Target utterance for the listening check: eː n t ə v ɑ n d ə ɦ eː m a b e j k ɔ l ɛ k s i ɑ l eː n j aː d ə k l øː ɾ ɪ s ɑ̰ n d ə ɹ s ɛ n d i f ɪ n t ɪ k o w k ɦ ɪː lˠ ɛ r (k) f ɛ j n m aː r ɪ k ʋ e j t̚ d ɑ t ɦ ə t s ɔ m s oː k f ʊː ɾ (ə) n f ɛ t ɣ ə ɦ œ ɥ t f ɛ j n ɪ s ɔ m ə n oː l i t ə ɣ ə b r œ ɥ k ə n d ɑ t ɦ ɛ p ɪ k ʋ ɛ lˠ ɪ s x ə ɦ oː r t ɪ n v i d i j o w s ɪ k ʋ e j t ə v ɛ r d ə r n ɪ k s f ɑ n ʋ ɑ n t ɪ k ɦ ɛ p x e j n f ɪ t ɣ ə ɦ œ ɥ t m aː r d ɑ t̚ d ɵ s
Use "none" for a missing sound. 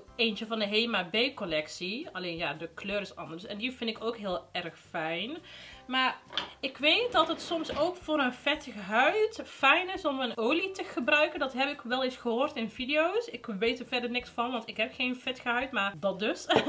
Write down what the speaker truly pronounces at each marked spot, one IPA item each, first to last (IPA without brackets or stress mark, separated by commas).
x, ə